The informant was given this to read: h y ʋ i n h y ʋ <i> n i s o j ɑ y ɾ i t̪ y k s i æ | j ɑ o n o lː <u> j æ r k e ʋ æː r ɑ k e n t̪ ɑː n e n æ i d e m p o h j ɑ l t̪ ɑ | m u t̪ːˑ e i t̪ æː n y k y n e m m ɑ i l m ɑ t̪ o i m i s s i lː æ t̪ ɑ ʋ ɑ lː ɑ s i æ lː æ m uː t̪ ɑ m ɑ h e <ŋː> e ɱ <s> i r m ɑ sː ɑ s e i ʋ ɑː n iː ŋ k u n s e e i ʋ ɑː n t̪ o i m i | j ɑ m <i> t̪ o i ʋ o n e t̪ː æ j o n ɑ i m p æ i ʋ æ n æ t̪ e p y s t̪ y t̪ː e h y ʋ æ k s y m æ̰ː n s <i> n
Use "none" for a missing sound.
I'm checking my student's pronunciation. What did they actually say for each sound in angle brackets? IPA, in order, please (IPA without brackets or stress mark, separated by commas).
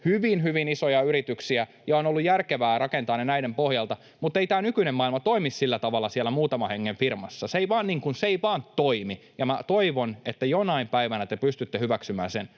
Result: i, u, ŋː, f, æ, e